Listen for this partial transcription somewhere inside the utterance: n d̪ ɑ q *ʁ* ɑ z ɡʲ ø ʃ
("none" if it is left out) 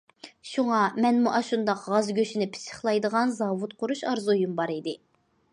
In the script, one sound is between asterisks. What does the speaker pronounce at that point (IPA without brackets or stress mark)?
ʁ